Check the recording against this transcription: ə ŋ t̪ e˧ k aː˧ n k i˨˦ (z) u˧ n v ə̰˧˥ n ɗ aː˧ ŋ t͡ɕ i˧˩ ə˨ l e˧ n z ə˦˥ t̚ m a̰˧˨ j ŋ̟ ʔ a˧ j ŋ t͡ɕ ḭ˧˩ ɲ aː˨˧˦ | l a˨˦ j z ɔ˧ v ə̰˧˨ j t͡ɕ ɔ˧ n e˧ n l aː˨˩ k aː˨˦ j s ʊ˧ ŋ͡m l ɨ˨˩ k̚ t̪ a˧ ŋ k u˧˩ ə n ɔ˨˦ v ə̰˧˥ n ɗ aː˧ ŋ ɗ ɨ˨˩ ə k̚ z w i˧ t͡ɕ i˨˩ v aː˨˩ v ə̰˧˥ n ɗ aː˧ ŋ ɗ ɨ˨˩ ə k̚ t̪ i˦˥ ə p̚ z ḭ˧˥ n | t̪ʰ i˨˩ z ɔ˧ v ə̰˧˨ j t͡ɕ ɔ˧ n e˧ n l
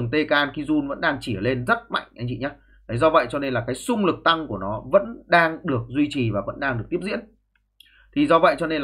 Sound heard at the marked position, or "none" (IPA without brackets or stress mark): z